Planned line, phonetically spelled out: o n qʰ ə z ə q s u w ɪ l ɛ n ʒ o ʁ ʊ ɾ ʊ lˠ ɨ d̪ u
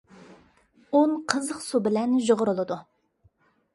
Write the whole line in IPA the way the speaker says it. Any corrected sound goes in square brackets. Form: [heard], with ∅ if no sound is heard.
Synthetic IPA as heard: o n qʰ ə z ə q s u [b] ɪ l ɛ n ʒ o ʁ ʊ ɾ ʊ lˠ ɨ d̪ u